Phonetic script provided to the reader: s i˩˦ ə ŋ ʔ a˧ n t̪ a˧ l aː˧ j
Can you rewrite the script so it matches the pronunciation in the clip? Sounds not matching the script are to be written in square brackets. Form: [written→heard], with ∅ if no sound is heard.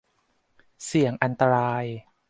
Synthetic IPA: s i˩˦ ə ŋ ʔ a˧ n t̪ a˧ [l→ɾ] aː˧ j